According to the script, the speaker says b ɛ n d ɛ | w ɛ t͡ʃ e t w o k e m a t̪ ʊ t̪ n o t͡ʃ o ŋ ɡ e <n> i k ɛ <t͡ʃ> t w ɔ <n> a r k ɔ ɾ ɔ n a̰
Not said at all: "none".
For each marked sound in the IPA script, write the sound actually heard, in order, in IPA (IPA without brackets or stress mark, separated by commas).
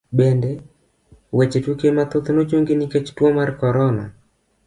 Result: n, t͡ʃ, m